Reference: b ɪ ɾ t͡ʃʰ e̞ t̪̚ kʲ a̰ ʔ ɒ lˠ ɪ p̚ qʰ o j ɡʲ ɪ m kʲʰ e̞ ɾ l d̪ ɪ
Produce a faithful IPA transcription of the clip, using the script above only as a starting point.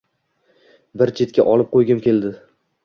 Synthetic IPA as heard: b ɪ ɾ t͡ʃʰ e̞ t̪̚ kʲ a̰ ʔ ɒ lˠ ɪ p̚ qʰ o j ɡʲ ɪ m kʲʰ e̞ l d̪ ɪ